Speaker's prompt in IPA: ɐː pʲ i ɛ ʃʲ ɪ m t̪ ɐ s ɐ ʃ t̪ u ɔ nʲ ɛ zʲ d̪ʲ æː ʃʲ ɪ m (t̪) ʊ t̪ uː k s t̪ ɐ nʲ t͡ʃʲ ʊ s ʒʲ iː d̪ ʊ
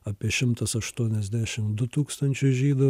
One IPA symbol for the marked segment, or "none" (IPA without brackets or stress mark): d̪